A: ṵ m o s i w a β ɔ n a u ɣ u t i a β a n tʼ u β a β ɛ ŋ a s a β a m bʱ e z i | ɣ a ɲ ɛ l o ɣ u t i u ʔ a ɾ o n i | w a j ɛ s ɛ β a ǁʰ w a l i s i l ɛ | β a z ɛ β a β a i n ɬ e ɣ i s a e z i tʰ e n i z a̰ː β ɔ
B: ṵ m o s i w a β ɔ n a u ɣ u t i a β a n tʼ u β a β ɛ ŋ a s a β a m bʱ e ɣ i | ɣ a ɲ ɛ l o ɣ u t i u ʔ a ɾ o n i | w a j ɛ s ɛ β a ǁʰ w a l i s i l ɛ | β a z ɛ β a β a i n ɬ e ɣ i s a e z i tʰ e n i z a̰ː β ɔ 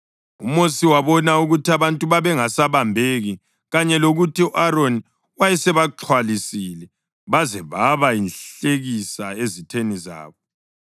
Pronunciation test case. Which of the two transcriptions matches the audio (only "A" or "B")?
B